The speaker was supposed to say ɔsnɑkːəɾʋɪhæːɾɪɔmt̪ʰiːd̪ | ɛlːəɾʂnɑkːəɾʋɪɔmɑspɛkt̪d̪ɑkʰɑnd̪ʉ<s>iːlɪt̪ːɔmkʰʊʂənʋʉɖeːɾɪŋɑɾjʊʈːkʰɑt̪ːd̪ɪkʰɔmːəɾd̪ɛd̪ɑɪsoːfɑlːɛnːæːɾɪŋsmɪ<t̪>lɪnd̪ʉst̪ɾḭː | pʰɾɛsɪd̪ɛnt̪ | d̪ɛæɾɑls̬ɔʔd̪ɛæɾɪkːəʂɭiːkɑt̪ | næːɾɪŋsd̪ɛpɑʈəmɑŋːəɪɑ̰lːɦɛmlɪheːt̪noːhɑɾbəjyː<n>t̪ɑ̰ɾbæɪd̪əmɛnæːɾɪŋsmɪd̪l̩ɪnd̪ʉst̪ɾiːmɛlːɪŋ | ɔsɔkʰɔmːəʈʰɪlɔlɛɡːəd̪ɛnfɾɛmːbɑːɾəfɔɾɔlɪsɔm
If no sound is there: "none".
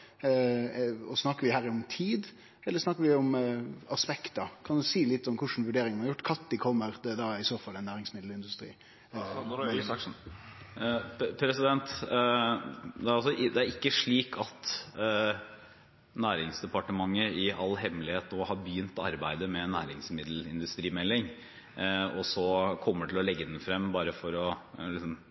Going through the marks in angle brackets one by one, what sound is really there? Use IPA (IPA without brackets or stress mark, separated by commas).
s, d̪, n